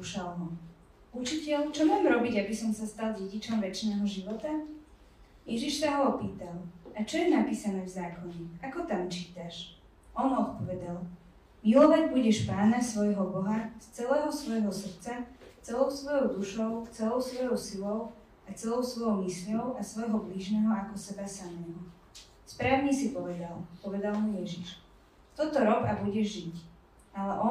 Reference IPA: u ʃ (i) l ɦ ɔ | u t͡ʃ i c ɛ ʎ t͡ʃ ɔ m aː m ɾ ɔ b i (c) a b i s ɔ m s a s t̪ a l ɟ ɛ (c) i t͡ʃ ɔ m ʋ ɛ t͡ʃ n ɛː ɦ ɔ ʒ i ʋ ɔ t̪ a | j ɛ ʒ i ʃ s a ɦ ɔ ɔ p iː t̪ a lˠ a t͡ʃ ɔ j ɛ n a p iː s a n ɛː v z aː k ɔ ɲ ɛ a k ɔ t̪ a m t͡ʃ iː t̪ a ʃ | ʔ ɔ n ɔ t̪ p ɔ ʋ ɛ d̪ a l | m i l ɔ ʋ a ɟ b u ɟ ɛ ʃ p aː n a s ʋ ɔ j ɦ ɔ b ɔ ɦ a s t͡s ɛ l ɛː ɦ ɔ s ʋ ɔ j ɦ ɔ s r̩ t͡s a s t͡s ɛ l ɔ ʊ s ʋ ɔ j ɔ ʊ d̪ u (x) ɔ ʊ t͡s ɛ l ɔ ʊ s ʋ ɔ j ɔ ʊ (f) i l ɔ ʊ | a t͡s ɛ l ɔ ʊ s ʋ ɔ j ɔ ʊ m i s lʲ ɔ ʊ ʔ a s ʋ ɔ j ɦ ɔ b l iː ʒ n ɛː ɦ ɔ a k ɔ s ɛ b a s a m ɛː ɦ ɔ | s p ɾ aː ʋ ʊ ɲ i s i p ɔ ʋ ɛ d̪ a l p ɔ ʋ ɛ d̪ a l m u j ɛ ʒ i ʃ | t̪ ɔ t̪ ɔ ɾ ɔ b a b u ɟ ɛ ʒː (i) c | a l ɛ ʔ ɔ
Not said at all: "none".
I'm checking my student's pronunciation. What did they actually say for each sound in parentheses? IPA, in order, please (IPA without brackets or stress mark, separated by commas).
a, ɟ, ɟ, ʃ, s, i